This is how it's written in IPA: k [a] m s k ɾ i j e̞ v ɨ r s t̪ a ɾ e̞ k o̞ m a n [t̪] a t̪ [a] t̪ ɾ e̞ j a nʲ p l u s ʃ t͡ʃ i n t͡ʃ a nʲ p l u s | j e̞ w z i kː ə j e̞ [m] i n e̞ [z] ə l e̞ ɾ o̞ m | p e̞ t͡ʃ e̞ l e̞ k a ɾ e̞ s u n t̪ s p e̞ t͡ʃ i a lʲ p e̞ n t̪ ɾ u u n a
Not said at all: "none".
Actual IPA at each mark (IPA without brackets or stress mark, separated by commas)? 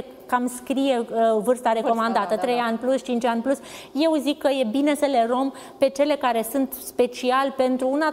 a, d̪, ə, b, s